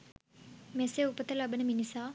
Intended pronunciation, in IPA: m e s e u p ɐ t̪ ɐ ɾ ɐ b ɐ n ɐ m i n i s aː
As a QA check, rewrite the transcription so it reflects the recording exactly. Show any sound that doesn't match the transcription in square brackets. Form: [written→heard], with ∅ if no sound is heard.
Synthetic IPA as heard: m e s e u p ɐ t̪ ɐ [ɾ→l] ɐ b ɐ n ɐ m i n i s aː